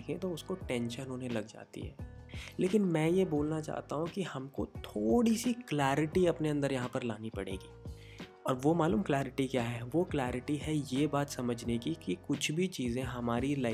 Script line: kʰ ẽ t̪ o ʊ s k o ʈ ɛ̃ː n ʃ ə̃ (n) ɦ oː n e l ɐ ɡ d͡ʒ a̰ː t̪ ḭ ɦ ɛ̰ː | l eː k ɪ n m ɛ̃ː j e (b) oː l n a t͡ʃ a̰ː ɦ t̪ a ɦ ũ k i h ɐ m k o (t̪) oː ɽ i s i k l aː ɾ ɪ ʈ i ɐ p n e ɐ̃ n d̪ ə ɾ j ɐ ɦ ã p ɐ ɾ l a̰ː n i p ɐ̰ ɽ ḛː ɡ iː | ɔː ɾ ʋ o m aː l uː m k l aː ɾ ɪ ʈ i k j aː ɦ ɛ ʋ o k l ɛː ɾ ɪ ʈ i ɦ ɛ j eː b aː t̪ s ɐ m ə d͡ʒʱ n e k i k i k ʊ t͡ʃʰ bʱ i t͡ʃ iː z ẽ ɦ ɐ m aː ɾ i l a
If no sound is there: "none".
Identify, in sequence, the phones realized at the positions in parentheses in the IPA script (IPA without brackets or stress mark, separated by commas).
n, b, t̪ʰ